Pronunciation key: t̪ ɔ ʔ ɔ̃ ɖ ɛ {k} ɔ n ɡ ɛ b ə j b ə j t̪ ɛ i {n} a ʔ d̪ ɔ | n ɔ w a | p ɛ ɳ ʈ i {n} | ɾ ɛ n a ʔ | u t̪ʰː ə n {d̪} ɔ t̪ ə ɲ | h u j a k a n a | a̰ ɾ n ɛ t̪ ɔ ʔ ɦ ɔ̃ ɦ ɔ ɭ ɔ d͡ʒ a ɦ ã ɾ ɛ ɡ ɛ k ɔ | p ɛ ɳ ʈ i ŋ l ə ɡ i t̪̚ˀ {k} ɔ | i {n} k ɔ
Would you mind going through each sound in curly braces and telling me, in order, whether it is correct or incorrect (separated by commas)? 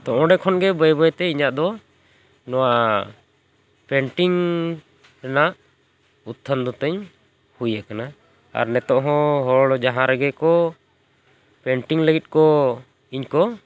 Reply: incorrect, incorrect, incorrect, correct, correct, incorrect